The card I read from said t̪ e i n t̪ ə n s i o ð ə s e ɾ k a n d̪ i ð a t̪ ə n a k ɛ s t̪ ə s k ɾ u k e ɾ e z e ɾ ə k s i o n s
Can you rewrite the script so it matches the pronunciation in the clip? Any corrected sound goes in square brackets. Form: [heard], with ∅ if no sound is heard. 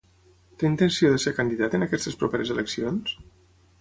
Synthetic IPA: t̪ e i n t̪ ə n s i o ð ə s e ɾ k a n d̪ i ð a t̪ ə n a k ɛ s t̪ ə s [p] ɾ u [p] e ɾ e z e [l] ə k s i o n s